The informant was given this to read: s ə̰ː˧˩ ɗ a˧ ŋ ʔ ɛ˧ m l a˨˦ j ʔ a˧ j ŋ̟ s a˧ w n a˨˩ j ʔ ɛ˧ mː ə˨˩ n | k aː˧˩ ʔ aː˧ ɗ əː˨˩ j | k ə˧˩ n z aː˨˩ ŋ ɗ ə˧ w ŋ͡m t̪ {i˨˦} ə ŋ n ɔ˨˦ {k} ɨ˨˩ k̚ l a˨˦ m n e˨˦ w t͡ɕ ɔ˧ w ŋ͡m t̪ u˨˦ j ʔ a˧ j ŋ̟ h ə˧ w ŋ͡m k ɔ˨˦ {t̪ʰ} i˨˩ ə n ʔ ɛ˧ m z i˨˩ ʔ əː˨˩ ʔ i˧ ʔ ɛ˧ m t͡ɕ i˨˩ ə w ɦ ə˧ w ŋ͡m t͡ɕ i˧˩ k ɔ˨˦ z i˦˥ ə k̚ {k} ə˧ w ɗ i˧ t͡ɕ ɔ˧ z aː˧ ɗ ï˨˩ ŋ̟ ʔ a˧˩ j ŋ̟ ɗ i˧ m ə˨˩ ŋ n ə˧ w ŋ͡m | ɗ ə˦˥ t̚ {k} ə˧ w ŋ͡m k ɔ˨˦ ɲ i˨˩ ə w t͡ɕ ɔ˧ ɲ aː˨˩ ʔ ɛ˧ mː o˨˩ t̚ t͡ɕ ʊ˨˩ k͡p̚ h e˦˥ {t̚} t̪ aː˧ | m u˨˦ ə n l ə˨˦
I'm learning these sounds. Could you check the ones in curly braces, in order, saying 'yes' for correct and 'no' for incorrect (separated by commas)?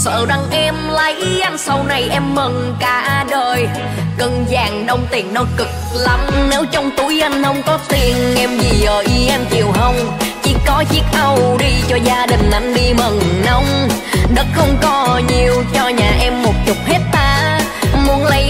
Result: no, yes, no, no, no, yes